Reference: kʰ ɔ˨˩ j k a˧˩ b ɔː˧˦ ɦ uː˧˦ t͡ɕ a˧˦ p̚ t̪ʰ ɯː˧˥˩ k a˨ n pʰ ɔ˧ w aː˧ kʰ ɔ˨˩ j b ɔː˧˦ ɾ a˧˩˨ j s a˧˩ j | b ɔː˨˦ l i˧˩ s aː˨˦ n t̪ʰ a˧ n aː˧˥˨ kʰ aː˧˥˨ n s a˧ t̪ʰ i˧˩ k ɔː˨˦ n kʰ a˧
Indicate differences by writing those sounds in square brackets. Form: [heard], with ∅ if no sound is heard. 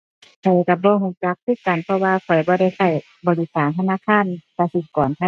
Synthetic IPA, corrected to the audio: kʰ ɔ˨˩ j k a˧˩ b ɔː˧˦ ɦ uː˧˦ t͡ɕ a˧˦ [k̚] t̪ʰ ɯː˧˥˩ k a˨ n pʰ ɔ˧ w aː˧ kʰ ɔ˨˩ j b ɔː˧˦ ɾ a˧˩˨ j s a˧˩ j | b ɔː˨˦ l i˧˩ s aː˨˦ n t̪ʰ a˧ n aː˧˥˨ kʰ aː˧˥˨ n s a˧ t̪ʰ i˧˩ k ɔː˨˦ n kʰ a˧